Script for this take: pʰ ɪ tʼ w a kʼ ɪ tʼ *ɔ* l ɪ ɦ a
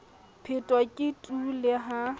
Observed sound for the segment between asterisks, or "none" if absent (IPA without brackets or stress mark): u